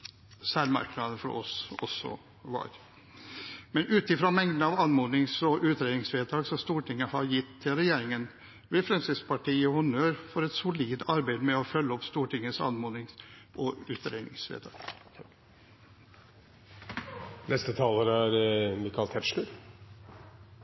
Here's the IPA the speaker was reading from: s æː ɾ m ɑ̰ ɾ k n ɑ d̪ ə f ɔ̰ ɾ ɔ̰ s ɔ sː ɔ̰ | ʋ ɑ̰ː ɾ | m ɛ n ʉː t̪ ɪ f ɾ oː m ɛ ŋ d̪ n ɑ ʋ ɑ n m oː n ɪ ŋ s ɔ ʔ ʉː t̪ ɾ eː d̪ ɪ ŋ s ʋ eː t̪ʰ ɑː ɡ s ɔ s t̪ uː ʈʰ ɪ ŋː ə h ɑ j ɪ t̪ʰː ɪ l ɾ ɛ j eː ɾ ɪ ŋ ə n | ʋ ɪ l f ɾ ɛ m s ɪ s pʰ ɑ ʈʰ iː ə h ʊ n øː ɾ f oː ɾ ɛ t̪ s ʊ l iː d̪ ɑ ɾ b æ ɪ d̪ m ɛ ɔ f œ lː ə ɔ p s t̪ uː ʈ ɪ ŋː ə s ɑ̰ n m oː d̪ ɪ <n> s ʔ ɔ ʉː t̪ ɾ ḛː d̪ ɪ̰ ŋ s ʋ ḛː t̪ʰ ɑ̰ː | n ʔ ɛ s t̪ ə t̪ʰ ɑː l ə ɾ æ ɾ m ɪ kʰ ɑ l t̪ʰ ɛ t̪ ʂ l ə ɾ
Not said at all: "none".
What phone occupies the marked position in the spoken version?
ŋ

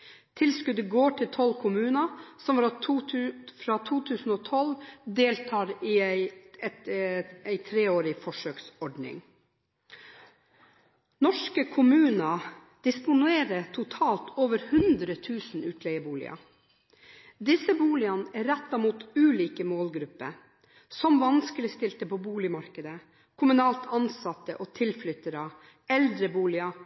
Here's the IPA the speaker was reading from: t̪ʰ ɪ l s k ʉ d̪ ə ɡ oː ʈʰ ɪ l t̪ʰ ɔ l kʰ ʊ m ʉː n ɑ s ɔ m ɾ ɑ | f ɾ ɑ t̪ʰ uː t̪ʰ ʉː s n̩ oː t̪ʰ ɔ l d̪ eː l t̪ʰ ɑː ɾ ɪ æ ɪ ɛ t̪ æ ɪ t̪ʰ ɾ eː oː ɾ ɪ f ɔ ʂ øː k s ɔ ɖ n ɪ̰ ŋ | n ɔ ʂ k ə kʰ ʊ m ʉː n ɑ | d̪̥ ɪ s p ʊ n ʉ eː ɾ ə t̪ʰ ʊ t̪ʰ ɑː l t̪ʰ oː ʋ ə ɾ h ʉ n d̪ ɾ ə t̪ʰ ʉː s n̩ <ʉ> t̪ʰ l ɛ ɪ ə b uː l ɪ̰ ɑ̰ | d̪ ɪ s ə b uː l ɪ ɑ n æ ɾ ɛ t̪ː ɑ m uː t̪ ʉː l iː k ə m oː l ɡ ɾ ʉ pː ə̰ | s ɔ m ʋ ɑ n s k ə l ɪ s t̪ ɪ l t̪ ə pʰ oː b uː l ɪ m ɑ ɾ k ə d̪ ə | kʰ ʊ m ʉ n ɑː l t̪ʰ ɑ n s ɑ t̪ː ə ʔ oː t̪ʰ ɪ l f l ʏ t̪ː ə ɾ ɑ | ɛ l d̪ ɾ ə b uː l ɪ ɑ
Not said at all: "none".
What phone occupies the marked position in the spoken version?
ʉː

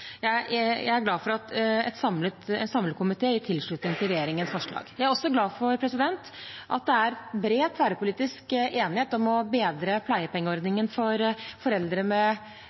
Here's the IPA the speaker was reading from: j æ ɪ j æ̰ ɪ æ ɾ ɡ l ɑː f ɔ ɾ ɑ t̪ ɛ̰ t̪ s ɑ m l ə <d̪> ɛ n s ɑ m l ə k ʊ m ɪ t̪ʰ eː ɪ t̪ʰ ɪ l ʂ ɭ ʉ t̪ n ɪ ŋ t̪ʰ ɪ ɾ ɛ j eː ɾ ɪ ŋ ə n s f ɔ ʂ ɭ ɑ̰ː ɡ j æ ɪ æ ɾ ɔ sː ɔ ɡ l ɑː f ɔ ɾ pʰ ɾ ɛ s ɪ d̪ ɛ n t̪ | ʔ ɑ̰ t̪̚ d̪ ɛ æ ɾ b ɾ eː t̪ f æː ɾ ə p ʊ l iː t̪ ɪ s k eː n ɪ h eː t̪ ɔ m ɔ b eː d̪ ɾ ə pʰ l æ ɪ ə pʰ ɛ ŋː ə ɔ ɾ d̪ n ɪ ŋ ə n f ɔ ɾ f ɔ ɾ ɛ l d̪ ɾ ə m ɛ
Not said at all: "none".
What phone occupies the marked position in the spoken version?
t̪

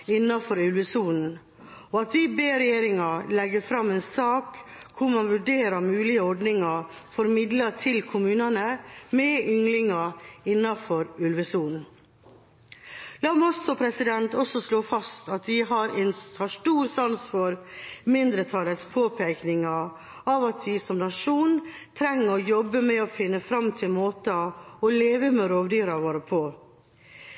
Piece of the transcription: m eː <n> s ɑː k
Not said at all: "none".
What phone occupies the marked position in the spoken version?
n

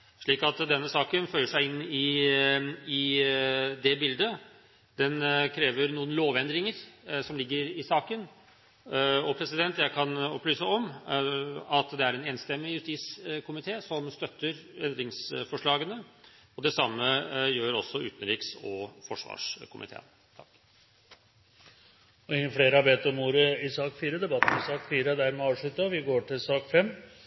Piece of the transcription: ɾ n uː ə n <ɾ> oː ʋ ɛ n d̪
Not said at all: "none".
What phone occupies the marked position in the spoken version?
l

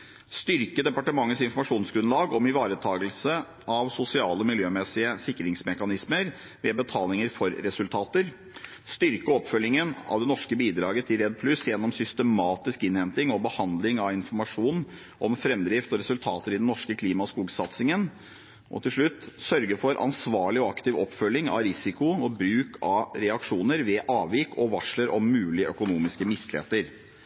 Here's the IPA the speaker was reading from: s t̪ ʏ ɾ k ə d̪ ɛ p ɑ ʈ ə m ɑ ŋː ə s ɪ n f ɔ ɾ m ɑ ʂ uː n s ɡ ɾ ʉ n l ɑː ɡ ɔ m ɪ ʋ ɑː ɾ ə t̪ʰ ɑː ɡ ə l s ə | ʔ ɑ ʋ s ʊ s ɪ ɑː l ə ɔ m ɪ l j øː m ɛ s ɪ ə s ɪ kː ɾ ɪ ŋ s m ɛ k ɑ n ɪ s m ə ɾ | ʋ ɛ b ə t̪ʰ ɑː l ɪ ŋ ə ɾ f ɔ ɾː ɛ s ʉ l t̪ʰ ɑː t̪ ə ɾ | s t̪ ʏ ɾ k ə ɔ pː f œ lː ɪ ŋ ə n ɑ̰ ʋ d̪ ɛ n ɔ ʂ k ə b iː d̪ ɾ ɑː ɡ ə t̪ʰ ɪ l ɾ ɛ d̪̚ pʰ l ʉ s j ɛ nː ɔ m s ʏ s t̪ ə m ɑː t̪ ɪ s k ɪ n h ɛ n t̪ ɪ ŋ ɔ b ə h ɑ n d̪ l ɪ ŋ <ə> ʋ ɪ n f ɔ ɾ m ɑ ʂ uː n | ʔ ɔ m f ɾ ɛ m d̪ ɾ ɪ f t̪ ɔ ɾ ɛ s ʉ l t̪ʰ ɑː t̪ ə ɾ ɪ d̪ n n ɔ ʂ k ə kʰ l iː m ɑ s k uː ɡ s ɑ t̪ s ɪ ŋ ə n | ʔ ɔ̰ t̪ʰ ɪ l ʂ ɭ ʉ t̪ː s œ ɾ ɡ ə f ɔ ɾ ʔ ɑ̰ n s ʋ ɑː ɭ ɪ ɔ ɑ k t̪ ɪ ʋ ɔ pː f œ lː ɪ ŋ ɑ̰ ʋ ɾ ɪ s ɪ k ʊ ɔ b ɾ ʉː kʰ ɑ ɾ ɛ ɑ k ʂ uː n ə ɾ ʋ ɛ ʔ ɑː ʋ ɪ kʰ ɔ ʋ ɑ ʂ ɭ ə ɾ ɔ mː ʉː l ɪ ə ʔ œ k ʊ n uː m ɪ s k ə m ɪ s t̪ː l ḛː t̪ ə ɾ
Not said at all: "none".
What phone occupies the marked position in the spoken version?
ɑ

